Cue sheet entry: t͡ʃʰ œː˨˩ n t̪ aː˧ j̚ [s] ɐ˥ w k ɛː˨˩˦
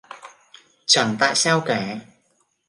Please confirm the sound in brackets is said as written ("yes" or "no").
yes